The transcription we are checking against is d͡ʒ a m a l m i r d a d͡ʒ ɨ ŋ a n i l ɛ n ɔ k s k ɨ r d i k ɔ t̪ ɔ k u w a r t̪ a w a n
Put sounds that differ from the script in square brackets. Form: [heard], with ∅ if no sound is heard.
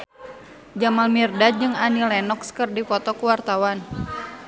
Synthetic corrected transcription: d͡ʒ a m a l m i r d a d͡ʒ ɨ ŋ a n i l ɛ n ɔ k s k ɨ r d i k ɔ t̪ ɔ k u w a r t̪ a w a n